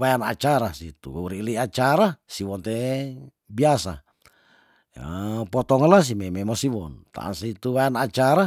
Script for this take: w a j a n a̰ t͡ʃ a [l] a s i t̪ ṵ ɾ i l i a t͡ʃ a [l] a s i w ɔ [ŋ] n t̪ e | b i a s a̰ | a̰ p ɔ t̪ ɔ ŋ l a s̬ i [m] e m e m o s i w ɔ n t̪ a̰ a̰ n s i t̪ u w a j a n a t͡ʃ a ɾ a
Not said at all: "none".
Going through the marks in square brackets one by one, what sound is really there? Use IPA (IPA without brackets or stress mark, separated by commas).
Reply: ɾ, ɾ, none, m